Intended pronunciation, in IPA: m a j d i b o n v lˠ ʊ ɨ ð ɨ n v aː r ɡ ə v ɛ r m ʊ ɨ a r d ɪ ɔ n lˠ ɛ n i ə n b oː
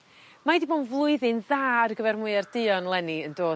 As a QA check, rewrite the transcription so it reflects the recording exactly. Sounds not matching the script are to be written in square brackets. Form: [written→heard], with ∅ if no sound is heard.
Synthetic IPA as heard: m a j d i b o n v lˠ ʊ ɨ ð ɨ n [v→ð] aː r ɡ ə v ɛ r m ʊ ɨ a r d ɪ ɔ n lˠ ɛ n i ə n [b→d] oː